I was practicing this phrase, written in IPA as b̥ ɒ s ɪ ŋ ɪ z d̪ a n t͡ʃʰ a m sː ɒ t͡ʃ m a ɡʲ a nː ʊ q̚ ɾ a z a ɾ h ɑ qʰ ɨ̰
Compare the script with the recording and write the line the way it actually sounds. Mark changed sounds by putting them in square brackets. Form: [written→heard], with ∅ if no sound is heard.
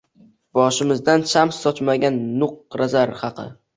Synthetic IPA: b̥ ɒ [s→ʃ] ɪ [ŋ→m] ɪ z d̪ a n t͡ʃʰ a m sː ɒ t͡ʃ m a ɡʲ a nː ʊ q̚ ɾ a z a ɾ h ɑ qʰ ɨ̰